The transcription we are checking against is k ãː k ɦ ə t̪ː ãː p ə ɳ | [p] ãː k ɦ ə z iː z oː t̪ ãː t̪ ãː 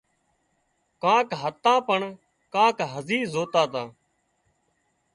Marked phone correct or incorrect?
incorrect